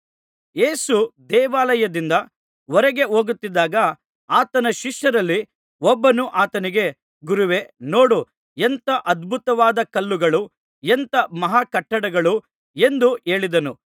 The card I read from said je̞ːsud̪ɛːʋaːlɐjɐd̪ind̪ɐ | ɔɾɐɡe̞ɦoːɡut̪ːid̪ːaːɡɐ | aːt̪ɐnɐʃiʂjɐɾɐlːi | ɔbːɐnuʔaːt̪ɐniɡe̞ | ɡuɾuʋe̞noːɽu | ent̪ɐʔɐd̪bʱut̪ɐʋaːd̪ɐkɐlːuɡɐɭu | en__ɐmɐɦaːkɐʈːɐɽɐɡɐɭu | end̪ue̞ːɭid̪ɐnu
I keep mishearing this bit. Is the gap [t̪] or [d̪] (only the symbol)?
t̪